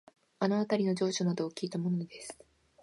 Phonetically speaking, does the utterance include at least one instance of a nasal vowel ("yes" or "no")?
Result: no